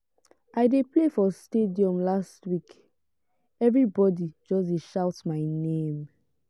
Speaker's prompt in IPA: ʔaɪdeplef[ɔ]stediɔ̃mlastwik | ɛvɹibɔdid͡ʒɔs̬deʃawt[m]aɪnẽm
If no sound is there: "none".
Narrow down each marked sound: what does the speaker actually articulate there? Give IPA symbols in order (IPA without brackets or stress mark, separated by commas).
ɔ, m